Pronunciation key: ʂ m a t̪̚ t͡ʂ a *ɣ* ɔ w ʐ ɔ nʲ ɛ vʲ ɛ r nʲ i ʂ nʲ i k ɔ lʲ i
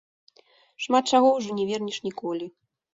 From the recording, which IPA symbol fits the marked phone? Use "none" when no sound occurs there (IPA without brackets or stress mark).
ɣ